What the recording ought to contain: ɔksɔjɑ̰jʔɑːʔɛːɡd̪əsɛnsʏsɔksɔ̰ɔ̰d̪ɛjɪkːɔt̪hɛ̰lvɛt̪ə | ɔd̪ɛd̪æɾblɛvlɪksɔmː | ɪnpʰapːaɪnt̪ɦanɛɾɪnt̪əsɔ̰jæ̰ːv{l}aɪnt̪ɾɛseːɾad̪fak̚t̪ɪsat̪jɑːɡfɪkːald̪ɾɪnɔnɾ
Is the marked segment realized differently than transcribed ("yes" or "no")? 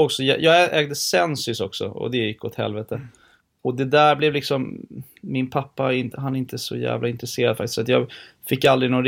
no